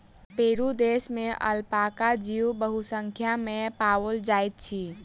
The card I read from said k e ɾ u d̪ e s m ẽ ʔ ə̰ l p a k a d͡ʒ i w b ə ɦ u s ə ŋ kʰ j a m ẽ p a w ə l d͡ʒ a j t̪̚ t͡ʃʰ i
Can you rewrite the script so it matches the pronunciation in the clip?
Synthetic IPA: p e ɾ u d̪ e s m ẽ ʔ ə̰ l p a k a d͡ʒ i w b ə ɦ u s ə ŋ kʰ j a m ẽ p a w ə l d͡ʒ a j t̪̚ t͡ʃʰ i